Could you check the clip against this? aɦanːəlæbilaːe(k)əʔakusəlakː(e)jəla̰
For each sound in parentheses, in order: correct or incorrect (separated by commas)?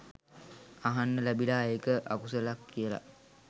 correct, incorrect